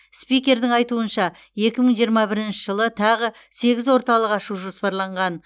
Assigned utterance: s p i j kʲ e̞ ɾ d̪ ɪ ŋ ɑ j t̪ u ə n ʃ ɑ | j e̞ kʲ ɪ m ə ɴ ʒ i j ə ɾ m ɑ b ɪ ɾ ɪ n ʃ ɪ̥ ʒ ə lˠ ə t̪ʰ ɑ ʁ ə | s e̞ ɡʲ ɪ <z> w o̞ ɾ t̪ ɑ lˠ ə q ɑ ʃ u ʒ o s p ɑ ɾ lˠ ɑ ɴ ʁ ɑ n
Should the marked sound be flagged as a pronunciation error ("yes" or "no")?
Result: no